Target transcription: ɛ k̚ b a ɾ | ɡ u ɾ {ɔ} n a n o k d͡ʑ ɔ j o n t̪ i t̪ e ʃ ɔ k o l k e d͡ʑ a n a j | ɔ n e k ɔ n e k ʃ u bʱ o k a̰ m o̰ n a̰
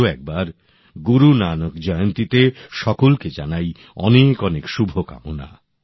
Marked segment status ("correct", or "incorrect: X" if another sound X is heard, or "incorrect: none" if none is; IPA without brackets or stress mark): incorrect: u